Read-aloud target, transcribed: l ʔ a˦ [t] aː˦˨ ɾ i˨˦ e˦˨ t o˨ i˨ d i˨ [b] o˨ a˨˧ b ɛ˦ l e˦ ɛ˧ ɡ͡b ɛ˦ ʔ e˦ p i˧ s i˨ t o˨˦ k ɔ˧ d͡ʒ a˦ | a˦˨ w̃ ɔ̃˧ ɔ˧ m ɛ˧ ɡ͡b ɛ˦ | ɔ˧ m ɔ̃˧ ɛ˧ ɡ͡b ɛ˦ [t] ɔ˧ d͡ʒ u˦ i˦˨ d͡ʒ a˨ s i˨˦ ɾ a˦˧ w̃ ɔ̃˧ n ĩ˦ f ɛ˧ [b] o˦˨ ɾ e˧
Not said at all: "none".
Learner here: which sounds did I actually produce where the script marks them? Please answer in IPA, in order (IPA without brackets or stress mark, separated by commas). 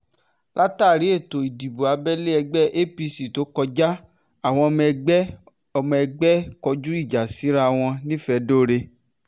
t, b, k, d